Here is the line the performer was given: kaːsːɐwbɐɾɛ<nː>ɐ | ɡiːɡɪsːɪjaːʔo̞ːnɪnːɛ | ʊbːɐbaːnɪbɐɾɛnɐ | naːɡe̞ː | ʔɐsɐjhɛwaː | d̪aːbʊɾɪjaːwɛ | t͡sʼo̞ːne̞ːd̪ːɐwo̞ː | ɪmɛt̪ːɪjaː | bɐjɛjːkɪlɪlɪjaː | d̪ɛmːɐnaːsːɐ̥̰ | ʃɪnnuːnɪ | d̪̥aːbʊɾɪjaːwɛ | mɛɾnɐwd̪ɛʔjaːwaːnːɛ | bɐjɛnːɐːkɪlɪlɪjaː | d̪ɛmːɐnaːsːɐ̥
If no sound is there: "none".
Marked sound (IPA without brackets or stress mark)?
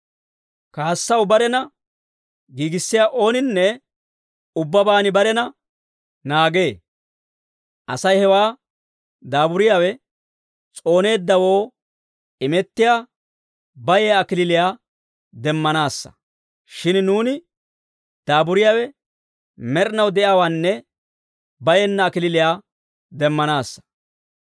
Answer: n